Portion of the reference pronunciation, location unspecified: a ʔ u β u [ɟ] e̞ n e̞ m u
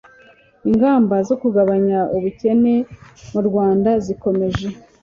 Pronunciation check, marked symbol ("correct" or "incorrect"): incorrect